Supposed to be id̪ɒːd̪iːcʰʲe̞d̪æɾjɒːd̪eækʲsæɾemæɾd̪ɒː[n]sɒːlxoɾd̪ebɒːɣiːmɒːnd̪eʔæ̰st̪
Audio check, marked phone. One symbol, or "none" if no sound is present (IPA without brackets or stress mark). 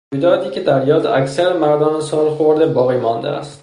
n